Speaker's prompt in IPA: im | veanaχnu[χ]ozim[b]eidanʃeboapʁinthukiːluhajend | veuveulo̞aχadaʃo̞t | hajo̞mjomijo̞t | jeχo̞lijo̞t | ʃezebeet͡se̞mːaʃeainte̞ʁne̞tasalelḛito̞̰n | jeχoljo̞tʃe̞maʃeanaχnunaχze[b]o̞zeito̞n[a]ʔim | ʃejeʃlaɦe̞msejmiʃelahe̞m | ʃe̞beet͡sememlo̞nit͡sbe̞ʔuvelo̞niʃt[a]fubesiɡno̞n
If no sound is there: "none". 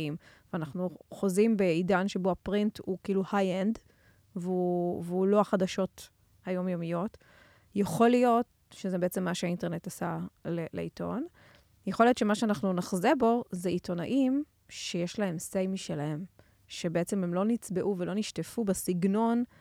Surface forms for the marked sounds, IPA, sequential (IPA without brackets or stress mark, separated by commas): χ, b, b, a, e